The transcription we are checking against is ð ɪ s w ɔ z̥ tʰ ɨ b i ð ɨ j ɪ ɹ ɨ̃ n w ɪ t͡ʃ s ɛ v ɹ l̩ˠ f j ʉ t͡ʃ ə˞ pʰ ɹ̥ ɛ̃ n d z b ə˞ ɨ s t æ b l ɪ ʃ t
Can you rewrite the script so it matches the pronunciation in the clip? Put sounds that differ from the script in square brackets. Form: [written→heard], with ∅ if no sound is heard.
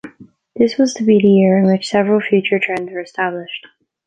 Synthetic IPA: ð ɪ s w [ɔ→ʌ] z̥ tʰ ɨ b i ð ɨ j ɪ ɹ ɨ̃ n w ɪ t͡ʃ s ɛ v ɹ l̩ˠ f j ʉ t͡ʃ ə˞ [pʰ→tʰ] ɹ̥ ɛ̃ n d z [b→w] ə˞ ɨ s t æ b l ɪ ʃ t